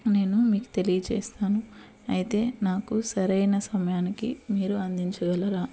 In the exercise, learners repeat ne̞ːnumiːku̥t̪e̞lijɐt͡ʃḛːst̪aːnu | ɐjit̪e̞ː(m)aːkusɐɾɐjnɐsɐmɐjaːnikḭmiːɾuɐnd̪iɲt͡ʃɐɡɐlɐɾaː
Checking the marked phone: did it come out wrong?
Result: yes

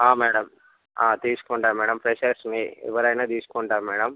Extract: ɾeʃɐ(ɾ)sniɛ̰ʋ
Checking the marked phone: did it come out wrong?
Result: no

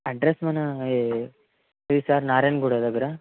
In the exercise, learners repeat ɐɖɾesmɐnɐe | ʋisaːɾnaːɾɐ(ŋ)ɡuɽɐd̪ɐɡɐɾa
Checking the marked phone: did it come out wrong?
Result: yes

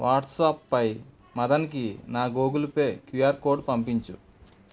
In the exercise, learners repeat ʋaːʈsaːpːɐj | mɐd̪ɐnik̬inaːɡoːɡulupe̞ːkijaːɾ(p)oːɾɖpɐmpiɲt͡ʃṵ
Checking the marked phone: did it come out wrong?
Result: yes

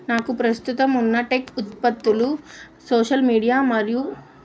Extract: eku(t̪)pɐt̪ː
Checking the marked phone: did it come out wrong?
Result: no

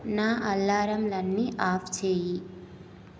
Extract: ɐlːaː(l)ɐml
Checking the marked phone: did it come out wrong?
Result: yes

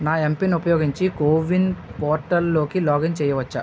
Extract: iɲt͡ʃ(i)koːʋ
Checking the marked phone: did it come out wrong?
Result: no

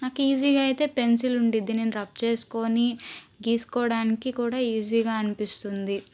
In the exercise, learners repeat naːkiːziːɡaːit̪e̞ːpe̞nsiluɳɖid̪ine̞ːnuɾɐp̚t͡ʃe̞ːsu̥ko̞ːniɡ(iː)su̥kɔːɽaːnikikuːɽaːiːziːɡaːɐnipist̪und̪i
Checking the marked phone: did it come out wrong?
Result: no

